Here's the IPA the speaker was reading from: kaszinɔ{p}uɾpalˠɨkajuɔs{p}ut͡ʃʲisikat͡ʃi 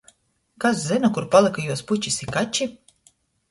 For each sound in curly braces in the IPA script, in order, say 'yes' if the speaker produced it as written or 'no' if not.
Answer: no, yes

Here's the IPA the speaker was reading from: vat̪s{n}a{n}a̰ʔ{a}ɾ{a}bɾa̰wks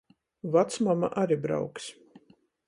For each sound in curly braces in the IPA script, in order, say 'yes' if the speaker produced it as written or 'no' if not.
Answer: no, no, yes, no

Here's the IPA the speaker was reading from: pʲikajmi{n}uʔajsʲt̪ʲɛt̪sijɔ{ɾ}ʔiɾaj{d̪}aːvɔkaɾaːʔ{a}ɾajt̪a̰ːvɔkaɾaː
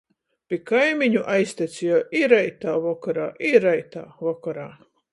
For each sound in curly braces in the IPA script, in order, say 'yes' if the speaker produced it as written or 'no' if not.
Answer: no, no, no, no

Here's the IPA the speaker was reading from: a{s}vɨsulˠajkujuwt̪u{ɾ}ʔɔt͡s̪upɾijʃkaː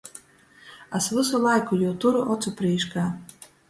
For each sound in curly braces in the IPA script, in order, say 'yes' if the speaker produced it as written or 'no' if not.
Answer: yes, yes

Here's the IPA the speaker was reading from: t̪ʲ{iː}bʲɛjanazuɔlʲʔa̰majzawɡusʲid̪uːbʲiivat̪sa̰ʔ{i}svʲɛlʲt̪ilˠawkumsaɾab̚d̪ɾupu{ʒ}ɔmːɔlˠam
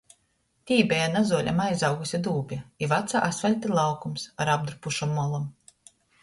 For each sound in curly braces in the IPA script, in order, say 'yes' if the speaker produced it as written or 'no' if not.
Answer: yes, no, no

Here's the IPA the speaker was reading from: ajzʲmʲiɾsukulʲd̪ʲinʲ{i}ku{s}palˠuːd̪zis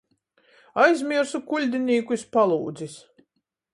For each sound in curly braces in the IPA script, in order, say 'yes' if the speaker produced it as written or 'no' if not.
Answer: no, yes

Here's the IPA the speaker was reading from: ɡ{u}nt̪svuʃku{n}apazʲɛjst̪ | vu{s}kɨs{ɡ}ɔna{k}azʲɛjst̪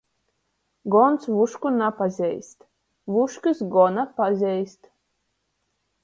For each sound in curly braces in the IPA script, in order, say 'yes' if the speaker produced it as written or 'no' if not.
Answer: no, yes, no, yes, no

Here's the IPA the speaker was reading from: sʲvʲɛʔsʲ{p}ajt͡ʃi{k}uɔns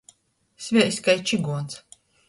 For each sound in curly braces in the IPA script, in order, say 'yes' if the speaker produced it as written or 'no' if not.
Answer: no, no

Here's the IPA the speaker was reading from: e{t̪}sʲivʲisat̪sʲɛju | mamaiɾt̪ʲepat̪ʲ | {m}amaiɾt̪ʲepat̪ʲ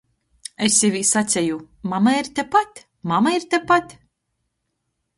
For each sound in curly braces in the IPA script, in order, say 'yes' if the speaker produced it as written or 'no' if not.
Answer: no, yes

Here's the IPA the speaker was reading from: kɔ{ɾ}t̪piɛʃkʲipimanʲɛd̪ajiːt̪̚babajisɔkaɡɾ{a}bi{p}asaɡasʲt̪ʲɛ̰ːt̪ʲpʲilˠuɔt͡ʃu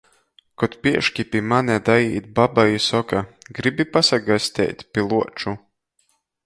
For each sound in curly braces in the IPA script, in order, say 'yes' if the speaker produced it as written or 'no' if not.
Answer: no, no, yes

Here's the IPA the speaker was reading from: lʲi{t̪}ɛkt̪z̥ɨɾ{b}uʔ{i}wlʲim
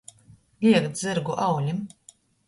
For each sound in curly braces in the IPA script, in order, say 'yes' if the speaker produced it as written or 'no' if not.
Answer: no, no, no

